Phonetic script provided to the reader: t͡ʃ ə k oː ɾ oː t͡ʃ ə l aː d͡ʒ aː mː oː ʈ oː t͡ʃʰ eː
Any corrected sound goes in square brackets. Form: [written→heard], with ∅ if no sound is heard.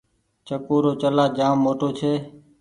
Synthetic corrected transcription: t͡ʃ ə k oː ɾ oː t͡ʃ ə l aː d͡ʒ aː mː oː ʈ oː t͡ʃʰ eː